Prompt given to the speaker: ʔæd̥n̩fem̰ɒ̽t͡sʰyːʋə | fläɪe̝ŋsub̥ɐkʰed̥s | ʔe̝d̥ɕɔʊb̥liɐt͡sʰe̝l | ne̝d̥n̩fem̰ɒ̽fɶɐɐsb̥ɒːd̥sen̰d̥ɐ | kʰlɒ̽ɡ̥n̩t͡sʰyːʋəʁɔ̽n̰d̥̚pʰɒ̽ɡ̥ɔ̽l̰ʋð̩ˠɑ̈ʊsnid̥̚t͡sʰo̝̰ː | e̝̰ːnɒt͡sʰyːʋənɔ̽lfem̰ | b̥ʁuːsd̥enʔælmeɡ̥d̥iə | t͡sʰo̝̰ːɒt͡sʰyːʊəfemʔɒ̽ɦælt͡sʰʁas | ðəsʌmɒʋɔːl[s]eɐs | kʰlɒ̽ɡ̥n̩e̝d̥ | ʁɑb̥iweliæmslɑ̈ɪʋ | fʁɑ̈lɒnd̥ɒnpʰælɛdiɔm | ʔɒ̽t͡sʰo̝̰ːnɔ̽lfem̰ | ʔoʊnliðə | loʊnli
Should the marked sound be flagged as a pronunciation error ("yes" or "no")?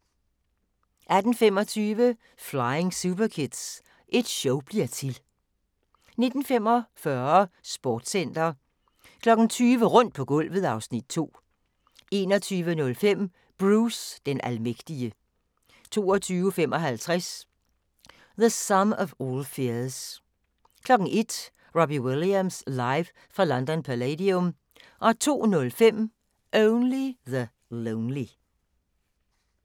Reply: yes